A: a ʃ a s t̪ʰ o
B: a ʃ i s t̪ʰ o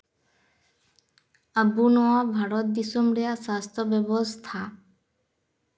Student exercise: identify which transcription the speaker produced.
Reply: A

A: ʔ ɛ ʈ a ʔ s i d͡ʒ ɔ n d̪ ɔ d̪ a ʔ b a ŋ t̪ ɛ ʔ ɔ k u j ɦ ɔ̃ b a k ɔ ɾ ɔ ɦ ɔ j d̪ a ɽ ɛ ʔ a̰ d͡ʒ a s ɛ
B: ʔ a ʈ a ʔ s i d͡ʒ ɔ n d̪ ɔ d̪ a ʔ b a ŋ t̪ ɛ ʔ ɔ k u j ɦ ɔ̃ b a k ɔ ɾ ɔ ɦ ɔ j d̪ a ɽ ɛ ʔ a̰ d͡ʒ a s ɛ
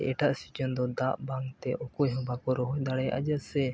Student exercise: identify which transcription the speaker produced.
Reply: A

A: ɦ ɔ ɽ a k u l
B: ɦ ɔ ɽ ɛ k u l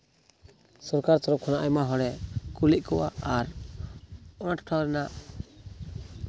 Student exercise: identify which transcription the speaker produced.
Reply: B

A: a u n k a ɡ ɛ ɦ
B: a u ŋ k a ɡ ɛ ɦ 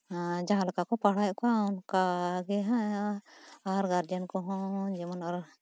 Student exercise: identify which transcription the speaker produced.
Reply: A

